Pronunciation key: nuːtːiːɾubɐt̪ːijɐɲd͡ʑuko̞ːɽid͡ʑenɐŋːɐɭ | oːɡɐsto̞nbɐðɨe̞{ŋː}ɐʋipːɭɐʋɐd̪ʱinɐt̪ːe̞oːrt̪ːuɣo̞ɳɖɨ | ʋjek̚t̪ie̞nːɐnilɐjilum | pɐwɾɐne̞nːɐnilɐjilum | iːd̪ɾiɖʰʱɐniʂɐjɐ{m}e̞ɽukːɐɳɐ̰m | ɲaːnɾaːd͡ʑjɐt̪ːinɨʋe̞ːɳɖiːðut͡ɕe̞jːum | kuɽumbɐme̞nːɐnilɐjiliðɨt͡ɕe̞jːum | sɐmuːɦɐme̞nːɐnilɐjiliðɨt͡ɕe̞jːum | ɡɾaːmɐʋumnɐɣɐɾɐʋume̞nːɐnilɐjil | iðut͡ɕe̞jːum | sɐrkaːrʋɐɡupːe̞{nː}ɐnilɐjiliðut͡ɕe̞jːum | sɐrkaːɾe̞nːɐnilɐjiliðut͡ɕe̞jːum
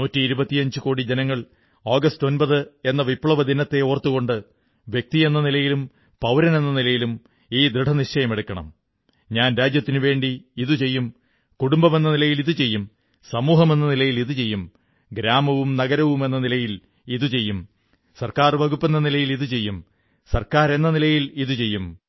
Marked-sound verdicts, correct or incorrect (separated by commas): incorrect, correct, correct